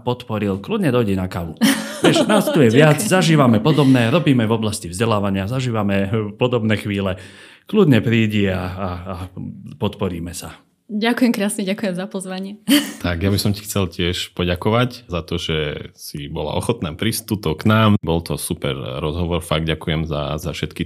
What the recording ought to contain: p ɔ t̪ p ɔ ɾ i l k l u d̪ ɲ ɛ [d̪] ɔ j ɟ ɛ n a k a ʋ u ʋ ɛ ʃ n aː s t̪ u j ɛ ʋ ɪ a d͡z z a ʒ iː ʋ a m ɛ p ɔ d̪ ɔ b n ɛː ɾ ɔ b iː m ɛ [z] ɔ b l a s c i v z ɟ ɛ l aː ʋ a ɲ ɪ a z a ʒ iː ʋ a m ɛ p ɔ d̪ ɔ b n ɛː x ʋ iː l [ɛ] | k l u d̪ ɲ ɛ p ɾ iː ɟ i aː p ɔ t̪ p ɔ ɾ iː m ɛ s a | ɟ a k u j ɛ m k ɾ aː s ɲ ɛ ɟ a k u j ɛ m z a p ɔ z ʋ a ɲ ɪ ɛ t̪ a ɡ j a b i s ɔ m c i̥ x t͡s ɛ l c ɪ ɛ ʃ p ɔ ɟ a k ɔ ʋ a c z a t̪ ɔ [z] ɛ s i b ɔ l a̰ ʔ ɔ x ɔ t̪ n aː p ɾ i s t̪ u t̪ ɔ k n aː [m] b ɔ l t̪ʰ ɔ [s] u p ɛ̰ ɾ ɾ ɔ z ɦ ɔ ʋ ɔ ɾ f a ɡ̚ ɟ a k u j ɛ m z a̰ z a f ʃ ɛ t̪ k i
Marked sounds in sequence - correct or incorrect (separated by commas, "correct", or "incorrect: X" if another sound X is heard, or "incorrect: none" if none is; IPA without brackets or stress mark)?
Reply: correct, incorrect: v, correct, incorrect: ʒ, correct, correct